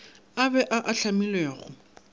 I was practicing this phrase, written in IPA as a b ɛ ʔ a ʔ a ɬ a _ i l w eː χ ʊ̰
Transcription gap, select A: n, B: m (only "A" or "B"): B